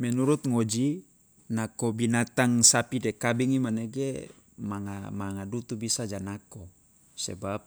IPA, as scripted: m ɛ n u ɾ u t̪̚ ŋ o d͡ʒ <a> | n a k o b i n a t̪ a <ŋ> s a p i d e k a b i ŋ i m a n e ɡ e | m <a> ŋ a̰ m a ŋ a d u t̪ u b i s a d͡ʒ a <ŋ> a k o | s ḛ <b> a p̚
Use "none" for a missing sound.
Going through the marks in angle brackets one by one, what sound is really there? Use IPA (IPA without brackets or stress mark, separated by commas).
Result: i, ŋ, a, n, b